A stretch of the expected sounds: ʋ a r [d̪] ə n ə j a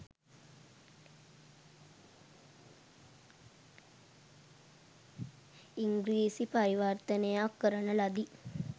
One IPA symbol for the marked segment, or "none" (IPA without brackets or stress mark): t̪